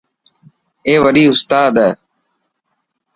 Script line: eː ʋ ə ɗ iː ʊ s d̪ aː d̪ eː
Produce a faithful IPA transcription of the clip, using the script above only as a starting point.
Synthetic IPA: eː ʋ ə ɗ iː ʊ s t̪ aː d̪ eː